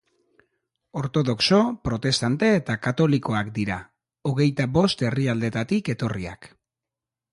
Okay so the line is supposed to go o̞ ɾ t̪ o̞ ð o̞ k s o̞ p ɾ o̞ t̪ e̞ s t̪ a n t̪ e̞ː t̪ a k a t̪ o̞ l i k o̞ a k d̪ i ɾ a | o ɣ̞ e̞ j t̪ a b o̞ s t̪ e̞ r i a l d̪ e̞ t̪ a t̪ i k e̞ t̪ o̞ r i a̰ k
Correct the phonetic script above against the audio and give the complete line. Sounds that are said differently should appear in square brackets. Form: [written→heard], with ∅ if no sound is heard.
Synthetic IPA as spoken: o̞ ɾ t̪ o̞ ð o̞ k s o̞ p ɾ o̞ t̪ e̞ s t̪ a n t̪ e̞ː t̪ a k a t̪ o̞ l i k o̞ a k d̪ i ɾ a | o ɣ̞ e̞ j t̪ a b o̞ s t̪ e̞ r i a l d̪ e̞ t̪ a t̪ i k e̞ t̪ o̞ r i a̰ k

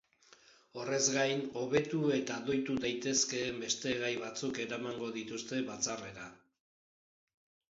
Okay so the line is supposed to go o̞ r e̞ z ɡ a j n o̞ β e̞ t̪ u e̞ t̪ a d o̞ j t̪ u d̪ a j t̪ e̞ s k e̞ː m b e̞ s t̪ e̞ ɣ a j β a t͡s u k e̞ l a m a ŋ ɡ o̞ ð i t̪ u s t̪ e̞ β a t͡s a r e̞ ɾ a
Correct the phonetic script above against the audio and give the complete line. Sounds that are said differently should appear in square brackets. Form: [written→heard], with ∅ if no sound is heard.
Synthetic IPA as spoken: o̞ r e̞ z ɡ a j n o̞ β e̞ t̪ u e̞ t̪ a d o̞ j t̪ u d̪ a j t̪ e̞ s k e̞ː m b e̞ s t̪ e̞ ɣ a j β a t͡s u k e̞ [l→ɾ] a m a ŋ ɡ o̞ ð i t̪ u s t̪ e̞ β a t͡s a r e̞ ɾ a

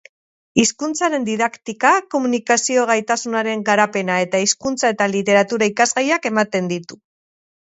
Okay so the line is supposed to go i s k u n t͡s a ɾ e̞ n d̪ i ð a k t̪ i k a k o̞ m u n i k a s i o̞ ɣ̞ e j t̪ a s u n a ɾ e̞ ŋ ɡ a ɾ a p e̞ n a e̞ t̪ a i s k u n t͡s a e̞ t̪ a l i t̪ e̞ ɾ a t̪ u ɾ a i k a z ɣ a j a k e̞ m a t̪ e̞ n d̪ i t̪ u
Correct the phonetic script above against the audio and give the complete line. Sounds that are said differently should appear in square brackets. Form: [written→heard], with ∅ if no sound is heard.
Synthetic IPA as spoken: i s k u n t͡s a ɾ e̞ n d̪ i ð a k t̪ i k a k o̞ m u n i k a s i o̞ ɣ̞ [e→a] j t̪ a s u n a ɾ e̞ ŋ ɡ a ɾ a p e̞ n a e̞ t̪ a i s k u n t͡s a e̞ t̪ a l i t̪ e̞ ɾ a t̪ u ɾ a i k a z ɣ a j a k e̞ m a t̪ e̞ n d̪ i t̪ u

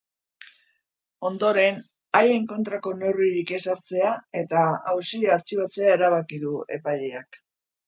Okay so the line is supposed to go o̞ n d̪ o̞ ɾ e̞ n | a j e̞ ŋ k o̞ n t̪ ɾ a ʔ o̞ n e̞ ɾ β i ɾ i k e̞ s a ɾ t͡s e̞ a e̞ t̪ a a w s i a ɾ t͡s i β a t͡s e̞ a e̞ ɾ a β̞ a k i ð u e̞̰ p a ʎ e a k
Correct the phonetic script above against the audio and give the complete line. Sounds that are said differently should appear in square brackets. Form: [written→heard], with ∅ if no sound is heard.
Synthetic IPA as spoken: o̞ n d̪ o̞ ɾ e̞ n | a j e̞ ŋ k o̞ n t̪ ɾ a [ʔ→k] o̞ n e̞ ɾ β i ɾ i k e̞ s a ɾ t͡s e̞ a e̞ t̪ a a w s i a ɾ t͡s i β a t͡s e̞ a e̞ ɾ a β̞ a k i ð u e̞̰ p a ʎ e a k

